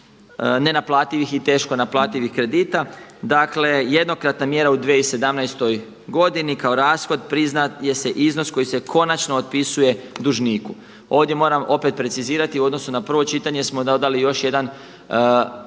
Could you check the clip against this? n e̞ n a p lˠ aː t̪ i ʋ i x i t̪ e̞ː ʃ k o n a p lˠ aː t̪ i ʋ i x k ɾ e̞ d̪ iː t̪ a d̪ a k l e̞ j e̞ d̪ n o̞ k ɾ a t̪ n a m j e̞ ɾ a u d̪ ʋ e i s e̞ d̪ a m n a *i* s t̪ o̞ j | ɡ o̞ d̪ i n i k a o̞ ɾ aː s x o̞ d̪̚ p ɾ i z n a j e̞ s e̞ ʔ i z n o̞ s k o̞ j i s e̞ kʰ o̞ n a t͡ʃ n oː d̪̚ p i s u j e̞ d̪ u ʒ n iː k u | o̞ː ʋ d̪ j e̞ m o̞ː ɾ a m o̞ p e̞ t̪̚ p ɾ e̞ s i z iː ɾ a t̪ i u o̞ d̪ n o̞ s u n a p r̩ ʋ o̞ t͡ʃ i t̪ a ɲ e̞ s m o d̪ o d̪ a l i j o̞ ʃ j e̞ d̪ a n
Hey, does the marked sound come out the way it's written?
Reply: no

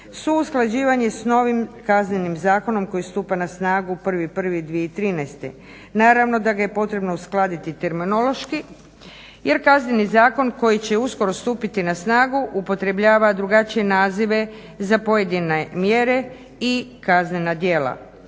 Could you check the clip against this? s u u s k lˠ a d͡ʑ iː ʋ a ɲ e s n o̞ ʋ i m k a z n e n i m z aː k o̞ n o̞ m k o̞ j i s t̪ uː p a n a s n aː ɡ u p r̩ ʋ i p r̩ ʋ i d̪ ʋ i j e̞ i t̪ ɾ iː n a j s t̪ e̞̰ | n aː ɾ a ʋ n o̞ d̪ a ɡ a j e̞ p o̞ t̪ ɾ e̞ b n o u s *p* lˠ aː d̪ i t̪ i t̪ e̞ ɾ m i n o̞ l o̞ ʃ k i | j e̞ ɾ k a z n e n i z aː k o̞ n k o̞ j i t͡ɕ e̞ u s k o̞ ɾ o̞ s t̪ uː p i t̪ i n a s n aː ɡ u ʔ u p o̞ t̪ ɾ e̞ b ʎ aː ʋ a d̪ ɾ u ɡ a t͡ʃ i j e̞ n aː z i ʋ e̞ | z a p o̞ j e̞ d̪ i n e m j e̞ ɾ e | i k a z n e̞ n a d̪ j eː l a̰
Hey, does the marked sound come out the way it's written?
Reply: no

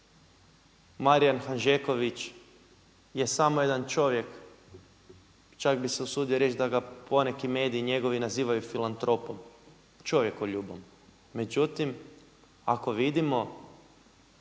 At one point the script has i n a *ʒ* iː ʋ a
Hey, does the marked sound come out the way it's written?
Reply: no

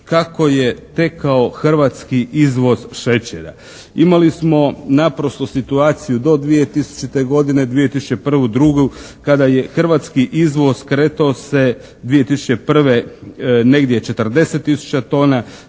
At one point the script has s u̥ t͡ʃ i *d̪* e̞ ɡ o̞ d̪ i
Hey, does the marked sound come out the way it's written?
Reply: no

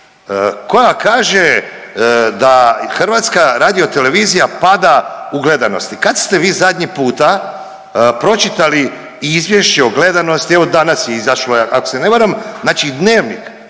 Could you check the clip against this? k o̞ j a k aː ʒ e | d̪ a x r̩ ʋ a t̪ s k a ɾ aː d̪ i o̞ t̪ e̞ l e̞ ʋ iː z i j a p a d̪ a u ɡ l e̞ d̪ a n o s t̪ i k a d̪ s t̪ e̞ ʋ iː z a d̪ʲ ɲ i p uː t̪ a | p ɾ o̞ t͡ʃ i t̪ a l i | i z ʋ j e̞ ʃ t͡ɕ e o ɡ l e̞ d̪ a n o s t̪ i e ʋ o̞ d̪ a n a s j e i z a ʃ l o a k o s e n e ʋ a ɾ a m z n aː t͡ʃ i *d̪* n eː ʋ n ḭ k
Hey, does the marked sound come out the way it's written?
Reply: yes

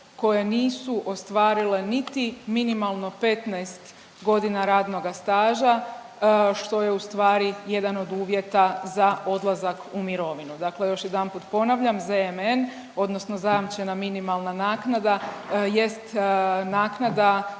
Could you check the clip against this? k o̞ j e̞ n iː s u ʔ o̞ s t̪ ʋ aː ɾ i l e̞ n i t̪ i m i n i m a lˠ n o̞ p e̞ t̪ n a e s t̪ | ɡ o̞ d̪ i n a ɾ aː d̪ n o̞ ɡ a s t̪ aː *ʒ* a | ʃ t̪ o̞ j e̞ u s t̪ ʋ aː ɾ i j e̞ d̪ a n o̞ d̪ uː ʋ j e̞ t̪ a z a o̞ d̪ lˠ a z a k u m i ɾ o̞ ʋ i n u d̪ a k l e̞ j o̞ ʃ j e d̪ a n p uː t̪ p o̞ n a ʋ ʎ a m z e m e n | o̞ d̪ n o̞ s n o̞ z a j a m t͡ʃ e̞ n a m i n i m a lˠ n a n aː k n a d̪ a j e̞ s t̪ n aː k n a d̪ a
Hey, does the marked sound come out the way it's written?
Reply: yes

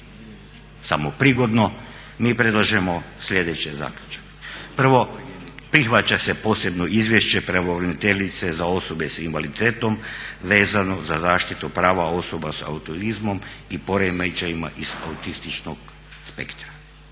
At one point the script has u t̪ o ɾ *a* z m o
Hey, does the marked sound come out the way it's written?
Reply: no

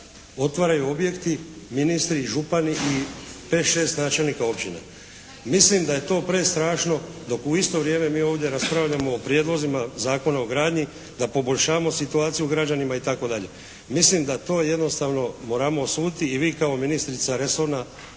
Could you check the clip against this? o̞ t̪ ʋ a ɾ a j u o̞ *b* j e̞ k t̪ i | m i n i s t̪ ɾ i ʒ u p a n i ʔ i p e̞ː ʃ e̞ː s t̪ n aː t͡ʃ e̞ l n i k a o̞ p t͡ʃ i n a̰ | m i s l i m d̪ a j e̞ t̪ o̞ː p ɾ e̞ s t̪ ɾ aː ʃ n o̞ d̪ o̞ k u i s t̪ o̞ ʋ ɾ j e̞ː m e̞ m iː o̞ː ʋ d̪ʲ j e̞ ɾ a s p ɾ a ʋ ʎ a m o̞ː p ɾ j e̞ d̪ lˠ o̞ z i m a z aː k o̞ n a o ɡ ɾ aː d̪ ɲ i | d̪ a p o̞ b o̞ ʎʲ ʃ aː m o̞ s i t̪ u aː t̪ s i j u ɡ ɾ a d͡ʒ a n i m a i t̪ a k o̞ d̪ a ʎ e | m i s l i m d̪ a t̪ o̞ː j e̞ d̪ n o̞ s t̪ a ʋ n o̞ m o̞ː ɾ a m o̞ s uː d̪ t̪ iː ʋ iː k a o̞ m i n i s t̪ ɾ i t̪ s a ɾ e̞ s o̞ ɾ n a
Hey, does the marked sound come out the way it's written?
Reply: yes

